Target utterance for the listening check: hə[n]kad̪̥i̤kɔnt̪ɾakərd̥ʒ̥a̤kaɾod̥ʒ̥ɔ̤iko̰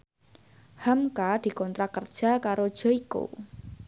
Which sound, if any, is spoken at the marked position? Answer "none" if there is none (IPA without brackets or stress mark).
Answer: m